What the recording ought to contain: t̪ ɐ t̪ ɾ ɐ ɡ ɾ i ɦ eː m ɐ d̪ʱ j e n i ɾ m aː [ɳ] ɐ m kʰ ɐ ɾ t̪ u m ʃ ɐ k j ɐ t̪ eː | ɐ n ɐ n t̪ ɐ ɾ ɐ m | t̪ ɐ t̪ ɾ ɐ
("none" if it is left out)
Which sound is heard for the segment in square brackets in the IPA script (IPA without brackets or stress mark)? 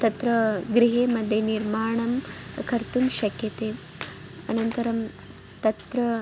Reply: ɳ